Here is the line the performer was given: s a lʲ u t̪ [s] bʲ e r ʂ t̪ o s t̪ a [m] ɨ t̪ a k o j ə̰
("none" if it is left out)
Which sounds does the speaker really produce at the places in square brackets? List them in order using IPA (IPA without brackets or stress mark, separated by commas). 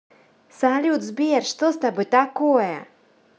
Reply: z, b